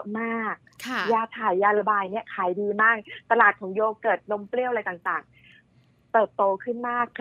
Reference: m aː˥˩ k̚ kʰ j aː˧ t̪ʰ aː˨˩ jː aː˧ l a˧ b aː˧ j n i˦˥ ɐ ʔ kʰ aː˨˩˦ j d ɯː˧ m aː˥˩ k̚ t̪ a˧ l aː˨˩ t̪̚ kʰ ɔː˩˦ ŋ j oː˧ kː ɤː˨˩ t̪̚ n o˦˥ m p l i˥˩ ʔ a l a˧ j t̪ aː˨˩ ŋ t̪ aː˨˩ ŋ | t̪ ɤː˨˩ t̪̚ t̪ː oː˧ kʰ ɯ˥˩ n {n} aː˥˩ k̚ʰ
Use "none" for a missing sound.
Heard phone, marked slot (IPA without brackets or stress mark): m